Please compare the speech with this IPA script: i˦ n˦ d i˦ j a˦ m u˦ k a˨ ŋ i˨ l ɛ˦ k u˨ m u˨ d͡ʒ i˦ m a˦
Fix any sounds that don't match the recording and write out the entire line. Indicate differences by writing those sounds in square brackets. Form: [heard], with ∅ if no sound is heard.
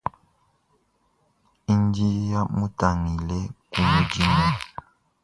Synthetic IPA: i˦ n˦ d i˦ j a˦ m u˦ [t] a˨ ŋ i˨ l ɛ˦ k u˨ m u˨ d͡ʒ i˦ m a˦

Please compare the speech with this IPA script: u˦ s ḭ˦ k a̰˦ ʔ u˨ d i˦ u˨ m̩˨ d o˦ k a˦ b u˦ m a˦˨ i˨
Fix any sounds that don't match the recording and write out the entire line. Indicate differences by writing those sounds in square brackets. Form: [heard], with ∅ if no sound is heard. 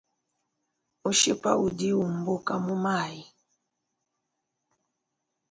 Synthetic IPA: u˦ [ʃ] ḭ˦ [p] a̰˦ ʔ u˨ d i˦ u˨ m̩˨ [b] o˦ k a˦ [m] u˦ m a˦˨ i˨

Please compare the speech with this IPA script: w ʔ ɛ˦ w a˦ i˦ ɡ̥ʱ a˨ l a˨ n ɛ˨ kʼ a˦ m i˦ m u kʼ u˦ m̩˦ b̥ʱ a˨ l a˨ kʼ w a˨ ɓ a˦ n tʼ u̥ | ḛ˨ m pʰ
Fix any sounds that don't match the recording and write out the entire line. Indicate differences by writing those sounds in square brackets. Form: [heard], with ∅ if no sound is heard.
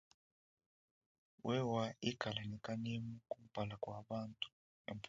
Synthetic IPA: w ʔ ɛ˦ w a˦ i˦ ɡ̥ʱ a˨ l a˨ n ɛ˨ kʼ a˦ [n] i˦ m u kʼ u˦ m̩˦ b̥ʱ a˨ l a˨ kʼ w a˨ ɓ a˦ n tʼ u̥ | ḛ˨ m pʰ

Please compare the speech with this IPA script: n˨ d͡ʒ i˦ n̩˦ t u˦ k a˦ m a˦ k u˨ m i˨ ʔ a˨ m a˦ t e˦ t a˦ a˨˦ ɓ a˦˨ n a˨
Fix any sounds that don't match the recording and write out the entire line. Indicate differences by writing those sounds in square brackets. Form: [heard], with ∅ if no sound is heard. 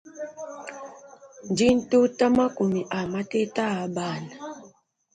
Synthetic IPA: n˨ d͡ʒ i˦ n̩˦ t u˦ [t] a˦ m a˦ k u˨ m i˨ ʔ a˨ m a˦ t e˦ t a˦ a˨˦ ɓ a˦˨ n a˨

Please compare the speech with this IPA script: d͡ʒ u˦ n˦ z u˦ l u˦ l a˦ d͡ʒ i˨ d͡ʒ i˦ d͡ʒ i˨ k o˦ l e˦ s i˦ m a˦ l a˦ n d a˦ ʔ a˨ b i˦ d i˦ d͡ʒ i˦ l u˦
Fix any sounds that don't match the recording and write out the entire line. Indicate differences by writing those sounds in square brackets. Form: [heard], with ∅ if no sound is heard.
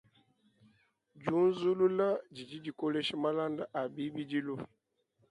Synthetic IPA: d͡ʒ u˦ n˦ z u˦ l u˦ l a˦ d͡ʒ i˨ d͡ʒ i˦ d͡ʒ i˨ k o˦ l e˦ [ʃ] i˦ m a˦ l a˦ n d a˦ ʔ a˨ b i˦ [b] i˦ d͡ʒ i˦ l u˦

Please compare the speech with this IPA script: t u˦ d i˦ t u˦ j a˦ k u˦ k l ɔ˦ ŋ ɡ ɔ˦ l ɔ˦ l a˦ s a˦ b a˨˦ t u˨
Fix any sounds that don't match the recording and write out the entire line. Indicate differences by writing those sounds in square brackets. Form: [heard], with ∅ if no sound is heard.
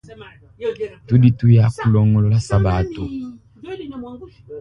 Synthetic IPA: t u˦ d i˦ t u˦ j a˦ k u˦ [∅] l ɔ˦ ŋ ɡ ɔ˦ l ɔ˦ l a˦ s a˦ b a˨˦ t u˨

